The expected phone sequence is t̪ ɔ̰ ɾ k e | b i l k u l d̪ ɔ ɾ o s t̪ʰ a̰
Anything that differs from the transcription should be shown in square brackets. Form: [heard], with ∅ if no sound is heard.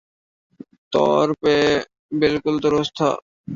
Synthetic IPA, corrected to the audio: t̪ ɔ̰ ɾ [p] e | b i l k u l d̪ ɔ ɾ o s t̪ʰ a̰